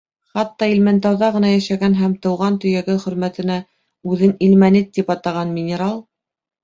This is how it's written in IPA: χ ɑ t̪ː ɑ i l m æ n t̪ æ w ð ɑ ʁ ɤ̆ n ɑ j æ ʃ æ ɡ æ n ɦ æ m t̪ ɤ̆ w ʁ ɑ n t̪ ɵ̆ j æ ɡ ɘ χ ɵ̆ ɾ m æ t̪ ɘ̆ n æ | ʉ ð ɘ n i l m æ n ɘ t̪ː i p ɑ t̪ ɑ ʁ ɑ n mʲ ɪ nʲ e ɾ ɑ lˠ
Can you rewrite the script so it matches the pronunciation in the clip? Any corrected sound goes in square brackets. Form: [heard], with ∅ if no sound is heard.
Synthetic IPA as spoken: χ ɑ t̪ː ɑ i l m æ n t̪ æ w ð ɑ ʁ ɤ̆ n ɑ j æ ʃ æ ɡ æ n ɦ æ m t̪ ɤ̆ w ʁ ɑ n t̪ ɵ̆ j æ ɡ ɘ χ ɵ̆ ɾ m æ t̪ ɘ̆ n æ | ʉ ð ɘ n i l m æ n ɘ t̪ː i p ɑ t̪ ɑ ʁ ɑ n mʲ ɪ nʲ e ɾ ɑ lˠ